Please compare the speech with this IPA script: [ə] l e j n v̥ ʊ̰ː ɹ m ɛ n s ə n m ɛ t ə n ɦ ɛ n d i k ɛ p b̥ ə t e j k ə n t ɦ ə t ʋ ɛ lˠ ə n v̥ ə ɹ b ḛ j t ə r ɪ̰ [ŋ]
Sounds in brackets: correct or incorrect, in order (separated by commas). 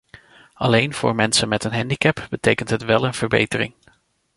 incorrect, correct